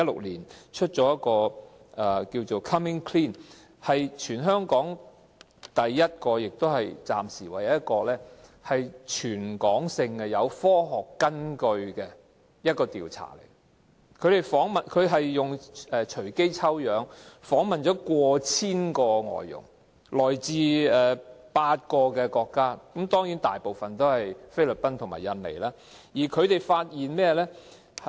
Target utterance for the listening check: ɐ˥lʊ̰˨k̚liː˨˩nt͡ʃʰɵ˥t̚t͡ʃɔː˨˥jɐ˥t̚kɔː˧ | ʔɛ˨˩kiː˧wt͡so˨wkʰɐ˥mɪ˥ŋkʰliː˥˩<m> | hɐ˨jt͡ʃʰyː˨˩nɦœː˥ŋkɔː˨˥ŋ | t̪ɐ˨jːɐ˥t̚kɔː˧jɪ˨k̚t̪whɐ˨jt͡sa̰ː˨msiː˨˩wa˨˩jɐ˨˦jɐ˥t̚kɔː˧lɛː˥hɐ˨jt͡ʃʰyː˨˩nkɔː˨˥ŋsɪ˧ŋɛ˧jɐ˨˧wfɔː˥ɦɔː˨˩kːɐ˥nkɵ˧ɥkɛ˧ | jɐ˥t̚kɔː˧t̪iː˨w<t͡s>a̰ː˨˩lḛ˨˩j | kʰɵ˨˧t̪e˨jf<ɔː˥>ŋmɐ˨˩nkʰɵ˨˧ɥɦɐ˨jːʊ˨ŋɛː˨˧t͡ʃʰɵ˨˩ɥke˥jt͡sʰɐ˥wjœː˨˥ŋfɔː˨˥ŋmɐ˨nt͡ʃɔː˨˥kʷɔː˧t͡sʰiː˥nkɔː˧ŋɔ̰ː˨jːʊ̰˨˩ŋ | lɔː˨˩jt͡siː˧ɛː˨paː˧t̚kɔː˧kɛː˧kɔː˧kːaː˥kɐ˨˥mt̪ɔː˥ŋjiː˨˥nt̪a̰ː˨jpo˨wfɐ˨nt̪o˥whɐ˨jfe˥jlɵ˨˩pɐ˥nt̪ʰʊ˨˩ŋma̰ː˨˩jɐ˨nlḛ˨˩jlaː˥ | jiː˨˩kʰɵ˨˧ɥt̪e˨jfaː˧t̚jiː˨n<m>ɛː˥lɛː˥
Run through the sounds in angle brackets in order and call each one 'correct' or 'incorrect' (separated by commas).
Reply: incorrect, incorrect, incorrect, correct